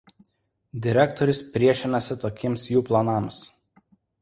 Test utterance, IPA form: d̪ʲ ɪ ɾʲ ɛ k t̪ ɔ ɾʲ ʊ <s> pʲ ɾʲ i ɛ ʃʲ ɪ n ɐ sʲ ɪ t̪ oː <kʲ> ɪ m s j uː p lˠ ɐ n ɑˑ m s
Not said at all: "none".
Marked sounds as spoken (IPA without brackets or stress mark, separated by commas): s, kʲ